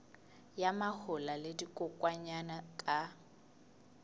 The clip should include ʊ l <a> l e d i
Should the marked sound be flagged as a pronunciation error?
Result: no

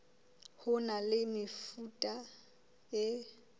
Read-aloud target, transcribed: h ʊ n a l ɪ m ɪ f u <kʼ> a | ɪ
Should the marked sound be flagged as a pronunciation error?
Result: yes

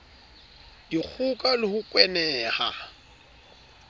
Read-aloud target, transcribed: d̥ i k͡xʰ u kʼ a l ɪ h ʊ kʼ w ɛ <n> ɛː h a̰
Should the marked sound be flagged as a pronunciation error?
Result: no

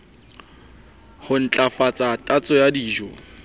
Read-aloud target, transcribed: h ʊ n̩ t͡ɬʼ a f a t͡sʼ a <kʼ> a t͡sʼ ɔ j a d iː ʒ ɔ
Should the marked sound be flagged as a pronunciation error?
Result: yes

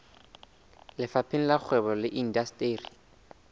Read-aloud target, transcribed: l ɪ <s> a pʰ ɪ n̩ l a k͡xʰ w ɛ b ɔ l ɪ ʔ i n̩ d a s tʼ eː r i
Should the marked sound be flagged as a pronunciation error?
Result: yes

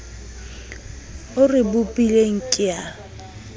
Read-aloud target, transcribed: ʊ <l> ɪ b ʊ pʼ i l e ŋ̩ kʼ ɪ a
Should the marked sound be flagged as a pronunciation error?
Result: yes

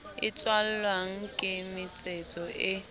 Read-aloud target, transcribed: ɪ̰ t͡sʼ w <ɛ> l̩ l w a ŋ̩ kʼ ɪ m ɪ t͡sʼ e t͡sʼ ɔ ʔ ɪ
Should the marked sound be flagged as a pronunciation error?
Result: yes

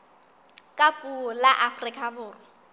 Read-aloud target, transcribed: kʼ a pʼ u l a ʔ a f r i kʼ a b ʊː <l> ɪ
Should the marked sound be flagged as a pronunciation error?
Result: yes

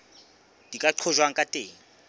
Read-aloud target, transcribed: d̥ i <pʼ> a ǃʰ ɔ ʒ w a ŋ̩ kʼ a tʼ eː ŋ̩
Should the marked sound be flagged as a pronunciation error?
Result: yes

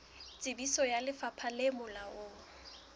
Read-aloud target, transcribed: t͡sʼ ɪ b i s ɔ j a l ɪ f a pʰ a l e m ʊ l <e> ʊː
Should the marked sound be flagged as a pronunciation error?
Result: yes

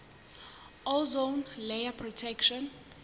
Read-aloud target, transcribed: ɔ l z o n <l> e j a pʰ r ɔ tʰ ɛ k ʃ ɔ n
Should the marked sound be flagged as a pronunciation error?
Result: no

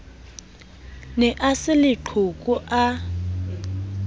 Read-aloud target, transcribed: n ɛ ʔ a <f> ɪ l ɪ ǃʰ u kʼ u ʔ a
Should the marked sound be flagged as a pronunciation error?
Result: yes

